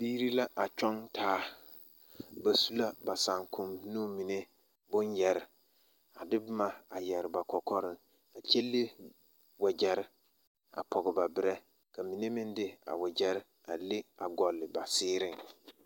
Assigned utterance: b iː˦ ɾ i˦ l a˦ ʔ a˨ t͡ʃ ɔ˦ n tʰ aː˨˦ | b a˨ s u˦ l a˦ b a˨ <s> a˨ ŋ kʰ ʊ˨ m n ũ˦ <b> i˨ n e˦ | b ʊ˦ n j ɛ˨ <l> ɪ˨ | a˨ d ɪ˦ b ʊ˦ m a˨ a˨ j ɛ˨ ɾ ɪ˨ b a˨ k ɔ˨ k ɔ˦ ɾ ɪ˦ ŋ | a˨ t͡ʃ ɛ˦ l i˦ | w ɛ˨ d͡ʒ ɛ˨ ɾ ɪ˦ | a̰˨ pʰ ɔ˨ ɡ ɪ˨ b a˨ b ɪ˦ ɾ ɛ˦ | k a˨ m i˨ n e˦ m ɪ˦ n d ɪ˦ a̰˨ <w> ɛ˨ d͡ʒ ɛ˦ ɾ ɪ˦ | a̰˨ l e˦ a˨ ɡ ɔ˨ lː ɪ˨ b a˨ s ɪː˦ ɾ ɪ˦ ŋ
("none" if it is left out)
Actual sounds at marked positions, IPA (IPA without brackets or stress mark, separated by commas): s, m, ɾ, w